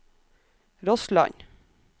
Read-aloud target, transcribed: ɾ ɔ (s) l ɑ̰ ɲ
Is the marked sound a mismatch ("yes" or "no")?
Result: no